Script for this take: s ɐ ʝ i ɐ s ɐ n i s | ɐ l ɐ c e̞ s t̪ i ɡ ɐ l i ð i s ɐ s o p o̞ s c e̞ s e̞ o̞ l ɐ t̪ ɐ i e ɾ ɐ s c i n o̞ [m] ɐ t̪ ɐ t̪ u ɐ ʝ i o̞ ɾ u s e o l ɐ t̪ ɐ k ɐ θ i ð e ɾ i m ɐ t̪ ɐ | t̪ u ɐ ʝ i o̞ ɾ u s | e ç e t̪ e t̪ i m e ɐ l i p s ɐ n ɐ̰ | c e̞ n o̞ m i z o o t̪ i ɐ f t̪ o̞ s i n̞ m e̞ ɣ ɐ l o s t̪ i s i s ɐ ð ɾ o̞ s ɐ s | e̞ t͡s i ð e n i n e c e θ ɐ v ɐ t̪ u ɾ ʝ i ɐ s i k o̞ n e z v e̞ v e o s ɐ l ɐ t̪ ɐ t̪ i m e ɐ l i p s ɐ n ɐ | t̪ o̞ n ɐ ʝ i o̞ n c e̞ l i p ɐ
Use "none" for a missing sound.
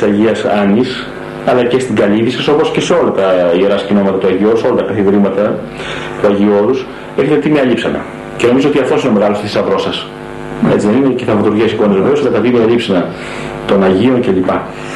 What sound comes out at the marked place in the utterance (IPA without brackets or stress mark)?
m